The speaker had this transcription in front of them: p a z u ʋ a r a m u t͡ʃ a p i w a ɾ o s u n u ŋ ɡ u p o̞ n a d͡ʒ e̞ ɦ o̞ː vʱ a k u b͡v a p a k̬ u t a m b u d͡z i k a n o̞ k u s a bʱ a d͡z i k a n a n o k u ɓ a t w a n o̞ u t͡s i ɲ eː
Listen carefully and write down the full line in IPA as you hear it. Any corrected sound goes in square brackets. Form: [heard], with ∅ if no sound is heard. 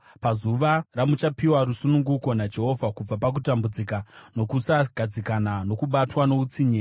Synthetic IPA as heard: p a z u ʋ a r a m u t͡ʃ a p i w a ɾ [u] s u n u ŋ ɡ u [k] o̞ n a d͡ʒ e̞ ɦ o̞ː vʱ a k u b͡v a p a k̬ u t a m b u d͡z i k a n o̞ k u s a [ɡʱ] a d͡z i k a n a n o k u ɓ a t w a n o̞ u t͡s i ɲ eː

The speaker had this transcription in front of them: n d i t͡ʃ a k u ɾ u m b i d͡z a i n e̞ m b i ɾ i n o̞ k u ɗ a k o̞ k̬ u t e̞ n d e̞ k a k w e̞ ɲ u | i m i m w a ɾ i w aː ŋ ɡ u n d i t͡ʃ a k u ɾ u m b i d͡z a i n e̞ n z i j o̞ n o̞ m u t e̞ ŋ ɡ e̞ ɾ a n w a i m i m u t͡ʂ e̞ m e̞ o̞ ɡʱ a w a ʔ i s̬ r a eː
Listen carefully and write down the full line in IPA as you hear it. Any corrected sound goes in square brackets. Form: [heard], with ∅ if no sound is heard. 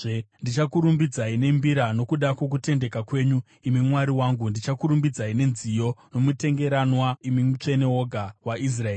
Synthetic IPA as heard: n d i t͡ʃ a k u ɾ u m b i d͡z a i n e̞ m b i ɾ [a] n o̞ k u ɗ a k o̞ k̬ u t e̞ n d e̞ k a k w e̞ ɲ u | i m i m w a ɾ i w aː ŋ ɡ u n d i t͡ʃ a k u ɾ u m b i d͡z a i n e̞ n z i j o̞ n o̞ m u t e̞ ŋ ɡ e̞ ɾ a n w a i m i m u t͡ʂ e̞ [n] e̞ o̞ ɡʱ a w a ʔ i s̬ r a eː

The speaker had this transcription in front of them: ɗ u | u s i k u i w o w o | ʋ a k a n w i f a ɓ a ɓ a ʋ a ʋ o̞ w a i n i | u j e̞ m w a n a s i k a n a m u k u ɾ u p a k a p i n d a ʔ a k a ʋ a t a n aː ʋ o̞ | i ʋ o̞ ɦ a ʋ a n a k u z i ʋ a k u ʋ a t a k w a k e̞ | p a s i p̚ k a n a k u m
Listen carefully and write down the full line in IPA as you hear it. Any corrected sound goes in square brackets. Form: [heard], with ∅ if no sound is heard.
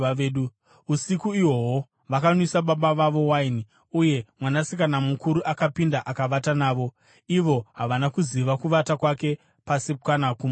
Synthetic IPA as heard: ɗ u | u s i k u i w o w o | ʋ a k a n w i [s] a ɓ a ɓ a ʋ a ʋ o̞ w a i n i | u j e̞ m w a n a s i k a n a m u k u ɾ u [ʔ] a k a p i n d a ʔ a k a ʋ a t a n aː ʋ o̞ | i ʋ o̞ ɦ a ʋ a n a k u z i ʋ a k u ʋ a t a k w a k e̞ | p a s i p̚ k a n a k u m

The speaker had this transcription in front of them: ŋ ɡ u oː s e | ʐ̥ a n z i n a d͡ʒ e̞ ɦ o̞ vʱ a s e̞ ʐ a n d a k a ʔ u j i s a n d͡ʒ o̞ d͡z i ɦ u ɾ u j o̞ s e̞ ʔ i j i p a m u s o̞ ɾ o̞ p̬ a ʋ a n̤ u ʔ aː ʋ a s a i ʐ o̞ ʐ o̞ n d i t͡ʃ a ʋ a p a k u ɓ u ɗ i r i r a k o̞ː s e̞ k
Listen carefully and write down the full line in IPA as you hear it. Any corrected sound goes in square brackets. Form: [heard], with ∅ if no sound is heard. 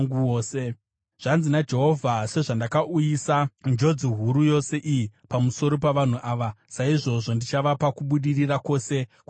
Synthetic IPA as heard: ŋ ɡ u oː s e | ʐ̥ a n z i n a d͡ʒ e̞ ɦ o̞ vʱ a s e̞ ʐ a n d a k a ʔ u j i s a n d͡ʒ o̞ d͡z i ɦ u ɾ u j o̞ s e̞ ʔ i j i p a m u s o̞ ɾ o̞ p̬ a ʋ a n̤ u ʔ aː ʋ a s a i ʐ o̞ ʐ o̞ n d i t͡ʃ a ʋ a p a k u ɓ u ɗ i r i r a k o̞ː s e̞ k

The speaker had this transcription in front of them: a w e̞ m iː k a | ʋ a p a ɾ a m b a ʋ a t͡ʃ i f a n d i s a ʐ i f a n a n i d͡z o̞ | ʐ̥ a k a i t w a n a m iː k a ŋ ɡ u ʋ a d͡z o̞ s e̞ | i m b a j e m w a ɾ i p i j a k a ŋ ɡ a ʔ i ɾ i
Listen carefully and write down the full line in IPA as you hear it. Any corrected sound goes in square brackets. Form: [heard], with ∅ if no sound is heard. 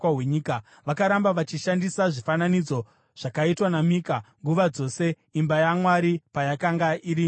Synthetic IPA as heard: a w e̞ [ɲ] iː k a | ʋ a [k] a ɾ a m b a ʋ a t͡ʃ i [ʃ] a n d i s a ʐ i f a n a n i d͡z o̞ | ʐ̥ a k a i t w a n a m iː k a ŋ ɡ u ʋ a d͡z o̞ s e̞ | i m b a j [a] m w a ɾ i p [a] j a k a ŋ ɡ a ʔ i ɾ i

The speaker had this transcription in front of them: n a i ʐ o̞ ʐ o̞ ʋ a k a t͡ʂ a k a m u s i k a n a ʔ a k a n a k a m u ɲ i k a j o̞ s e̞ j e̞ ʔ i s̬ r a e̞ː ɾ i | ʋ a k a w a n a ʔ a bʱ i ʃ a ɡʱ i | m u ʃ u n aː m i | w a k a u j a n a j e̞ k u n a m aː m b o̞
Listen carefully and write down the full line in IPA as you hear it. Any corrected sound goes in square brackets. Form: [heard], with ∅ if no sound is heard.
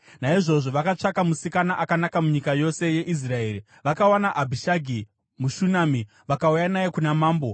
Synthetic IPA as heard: n a i ʐ o̞ ʐ o̞ ʋ a k a t͡ʂ a k a m u s i k a n a ʔ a k a n a k a m u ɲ i k a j o̞ s e̞ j e̞ ʔ i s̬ r a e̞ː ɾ i | ʋ a k a w a n a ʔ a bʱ i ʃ a ɡʱ i | m u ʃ u n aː m i | [ʋ] a k a u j a n a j e̞ k u n a m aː m b o̞

